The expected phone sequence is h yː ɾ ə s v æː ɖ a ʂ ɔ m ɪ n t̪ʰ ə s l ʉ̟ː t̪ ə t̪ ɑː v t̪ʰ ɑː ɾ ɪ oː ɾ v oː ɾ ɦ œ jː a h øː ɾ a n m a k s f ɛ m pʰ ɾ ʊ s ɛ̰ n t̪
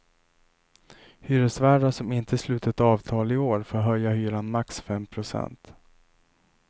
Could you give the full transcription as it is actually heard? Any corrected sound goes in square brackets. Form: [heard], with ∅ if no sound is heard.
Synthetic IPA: h yː ɾ ə s v æː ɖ a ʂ ɔ m ɪ n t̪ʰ ə s l ʉ̟ː t̪ ə t̪ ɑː v t̪ʰ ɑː [l] ɪ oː ɾ [f] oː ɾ ɦ œ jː a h [yː] ɾ a n m a k s f ɛ m pʰ ɾ ʊ s ɛ̰ n t̪